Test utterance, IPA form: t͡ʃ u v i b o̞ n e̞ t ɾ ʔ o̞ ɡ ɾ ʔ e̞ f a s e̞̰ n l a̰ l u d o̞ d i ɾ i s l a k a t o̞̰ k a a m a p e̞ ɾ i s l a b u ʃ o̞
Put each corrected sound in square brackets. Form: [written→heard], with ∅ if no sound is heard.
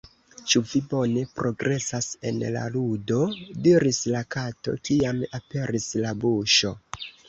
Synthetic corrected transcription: t͡ʃ u v i b o̞ n e̞ [t→p] ɾ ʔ o̞ ɡ ɾ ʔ e̞ [f→s] a s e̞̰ n l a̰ l u d o̞ d i ɾ i s l a k a t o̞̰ k [a→i] a m a p e̞ ɾ i s l a b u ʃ o̞